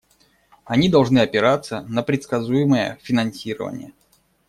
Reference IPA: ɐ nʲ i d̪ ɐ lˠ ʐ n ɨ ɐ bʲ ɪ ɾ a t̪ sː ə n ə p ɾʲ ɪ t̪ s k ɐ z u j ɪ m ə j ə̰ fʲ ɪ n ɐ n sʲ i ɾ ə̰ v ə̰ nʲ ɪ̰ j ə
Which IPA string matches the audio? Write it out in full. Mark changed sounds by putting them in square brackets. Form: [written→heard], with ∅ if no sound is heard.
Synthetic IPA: ɐ nʲ i d̪ ɐ lˠ ʐ n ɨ ɐ [bʲ→pʲ] ɪ ɾ a t̪ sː ə n ə p ɾʲ ɪ t̪ s k ɐ z u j ɪ m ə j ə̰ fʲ ɪ n ɐ n sʲ i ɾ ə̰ v ə̰ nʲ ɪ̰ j ə